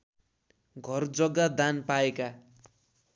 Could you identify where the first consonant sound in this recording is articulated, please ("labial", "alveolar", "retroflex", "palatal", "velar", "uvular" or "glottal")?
velar